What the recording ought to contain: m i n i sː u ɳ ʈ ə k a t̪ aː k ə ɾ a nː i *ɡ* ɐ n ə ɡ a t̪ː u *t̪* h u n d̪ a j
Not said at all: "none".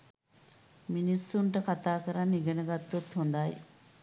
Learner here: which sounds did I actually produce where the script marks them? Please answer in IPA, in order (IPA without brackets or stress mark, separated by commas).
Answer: ɡ, t̪